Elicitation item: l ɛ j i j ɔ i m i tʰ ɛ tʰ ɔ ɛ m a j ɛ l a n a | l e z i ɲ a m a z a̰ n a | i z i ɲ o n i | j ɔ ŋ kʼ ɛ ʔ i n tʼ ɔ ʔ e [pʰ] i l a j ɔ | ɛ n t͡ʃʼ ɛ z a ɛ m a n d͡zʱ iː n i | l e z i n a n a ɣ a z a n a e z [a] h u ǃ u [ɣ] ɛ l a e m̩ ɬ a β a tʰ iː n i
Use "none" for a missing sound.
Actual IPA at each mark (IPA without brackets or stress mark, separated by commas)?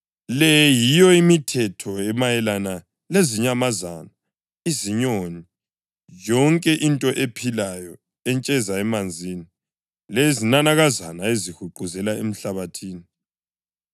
pʰ, i, z